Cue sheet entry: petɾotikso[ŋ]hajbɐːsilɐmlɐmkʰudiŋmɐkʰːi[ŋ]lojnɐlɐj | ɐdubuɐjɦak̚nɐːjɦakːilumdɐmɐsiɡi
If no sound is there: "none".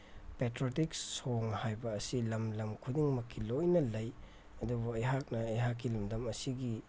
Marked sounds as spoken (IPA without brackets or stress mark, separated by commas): ŋ, none